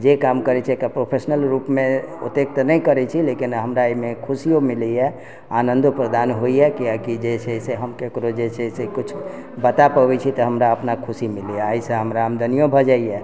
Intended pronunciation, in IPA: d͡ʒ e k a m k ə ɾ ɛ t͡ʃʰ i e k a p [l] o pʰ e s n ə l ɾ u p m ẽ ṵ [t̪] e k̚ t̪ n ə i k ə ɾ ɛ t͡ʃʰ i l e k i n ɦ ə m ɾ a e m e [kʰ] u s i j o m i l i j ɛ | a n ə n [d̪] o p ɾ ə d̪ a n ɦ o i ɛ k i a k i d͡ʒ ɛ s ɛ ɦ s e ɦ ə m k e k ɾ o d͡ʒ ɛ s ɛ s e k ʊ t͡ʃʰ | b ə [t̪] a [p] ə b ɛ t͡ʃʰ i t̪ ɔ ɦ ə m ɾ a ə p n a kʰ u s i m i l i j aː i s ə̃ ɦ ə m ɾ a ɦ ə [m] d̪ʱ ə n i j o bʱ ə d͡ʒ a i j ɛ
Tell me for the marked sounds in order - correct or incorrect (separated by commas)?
incorrect, correct, correct, correct, correct, correct, correct